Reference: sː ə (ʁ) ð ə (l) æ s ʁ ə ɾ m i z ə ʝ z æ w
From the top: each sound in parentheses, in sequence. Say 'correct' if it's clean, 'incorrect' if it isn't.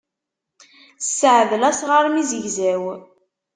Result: incorrect: ʕ, correct

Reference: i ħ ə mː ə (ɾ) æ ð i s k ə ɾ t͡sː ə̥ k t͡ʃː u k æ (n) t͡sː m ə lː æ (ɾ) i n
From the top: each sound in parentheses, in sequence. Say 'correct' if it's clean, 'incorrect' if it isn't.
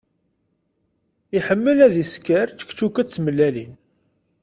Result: incorrect: l, incorrect: none, incorrect: l

